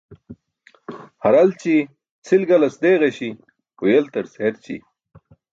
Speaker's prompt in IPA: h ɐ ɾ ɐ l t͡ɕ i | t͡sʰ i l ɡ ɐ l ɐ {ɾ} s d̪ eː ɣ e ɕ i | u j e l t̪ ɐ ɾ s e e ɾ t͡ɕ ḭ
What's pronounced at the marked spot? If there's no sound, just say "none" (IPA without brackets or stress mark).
none